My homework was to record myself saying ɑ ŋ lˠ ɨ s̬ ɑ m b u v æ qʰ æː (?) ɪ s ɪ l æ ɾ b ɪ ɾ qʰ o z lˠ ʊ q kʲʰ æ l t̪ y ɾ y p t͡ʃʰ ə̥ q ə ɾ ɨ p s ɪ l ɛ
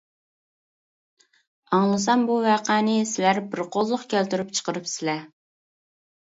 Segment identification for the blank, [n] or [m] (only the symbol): n